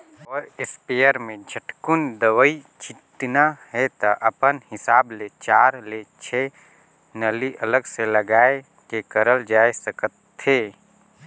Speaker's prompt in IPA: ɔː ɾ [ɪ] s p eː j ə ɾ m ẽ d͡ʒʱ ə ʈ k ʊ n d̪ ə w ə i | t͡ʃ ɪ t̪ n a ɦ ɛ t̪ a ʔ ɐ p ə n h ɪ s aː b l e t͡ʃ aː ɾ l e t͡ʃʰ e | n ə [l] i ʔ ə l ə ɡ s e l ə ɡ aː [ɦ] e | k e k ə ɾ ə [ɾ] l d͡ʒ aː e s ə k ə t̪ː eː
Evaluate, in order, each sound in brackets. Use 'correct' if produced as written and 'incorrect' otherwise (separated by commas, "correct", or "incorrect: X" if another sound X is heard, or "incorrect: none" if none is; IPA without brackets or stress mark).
correct, correct, incorrect: none, incorrect: none